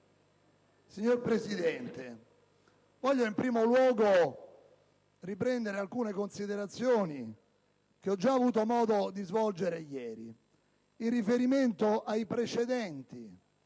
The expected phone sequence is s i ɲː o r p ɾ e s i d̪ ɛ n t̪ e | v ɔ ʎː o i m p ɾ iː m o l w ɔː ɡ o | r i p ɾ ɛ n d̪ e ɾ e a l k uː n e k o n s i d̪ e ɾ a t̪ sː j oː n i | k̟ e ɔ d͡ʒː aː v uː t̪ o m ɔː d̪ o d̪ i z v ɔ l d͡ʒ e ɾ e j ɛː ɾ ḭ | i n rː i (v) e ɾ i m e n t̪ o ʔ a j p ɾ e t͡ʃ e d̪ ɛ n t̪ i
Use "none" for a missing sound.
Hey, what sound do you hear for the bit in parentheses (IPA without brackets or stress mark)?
f